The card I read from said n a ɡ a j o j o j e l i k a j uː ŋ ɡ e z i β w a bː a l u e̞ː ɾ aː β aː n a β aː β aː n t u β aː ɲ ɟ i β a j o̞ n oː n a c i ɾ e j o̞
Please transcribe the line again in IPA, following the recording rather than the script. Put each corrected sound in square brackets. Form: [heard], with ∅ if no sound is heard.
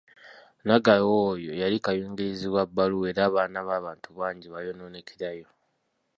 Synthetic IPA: n a ɡ a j o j o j [a] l i k a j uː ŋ ɡ e z i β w a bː a l u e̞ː ɾ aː β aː n a β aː β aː n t u β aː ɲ ɟ i β a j o̞ n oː n [e] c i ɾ [a] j o̞